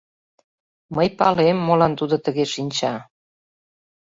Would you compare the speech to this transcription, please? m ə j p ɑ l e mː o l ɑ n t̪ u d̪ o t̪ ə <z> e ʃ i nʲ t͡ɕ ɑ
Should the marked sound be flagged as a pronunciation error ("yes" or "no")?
yes